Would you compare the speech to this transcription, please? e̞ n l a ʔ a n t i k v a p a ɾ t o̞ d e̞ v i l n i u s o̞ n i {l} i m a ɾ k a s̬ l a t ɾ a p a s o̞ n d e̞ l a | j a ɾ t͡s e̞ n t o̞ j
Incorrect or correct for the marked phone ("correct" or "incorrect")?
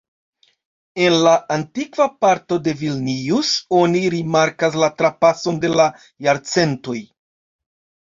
incorrect